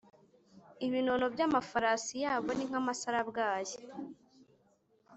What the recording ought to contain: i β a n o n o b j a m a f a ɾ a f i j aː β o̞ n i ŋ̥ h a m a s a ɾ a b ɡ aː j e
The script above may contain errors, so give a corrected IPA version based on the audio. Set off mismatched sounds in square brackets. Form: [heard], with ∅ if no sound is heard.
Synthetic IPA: i β [i] n o n o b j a m a f a ɾ a [s] i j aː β o̞ n i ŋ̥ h a m a s a ɾ a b ɡ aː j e